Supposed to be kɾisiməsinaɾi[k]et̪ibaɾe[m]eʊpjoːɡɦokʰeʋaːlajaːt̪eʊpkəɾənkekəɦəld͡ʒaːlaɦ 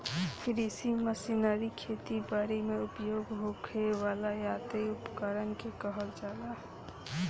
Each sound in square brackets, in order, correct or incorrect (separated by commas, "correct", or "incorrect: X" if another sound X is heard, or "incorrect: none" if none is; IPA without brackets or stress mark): incorrect: kʰ, correct